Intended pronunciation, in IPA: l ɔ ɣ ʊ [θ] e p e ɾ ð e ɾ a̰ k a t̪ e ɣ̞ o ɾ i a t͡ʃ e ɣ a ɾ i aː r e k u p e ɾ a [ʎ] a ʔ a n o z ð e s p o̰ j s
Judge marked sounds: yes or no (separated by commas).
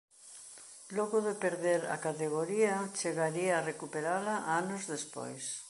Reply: no, no